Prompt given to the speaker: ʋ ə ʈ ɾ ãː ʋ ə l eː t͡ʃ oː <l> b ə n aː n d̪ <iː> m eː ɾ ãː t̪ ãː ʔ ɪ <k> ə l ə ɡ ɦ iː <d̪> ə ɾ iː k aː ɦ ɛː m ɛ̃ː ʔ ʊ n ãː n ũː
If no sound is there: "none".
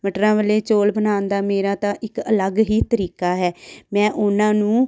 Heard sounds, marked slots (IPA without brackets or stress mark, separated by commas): l, aː, k, t̪